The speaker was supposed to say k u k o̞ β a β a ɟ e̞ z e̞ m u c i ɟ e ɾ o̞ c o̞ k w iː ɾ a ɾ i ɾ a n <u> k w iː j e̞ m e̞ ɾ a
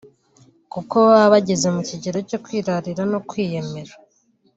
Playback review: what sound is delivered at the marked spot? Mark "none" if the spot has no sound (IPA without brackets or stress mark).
o